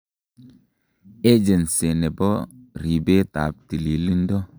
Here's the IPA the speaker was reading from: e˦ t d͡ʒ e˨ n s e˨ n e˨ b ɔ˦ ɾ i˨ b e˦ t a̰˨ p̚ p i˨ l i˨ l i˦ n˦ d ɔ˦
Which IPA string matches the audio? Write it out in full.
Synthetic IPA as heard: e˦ d͡ʒ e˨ n s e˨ n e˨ b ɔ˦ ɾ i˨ b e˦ t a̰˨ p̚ t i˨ l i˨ l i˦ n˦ d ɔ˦